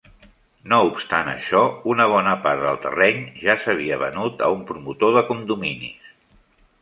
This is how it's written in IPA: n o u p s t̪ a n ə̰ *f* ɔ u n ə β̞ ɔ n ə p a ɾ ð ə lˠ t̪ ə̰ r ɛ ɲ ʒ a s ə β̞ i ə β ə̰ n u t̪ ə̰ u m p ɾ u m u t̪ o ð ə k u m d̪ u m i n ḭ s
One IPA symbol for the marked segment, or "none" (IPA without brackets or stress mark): ʃ